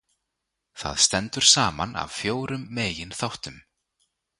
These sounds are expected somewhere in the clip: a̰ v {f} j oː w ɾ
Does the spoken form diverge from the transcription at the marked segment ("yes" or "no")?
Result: no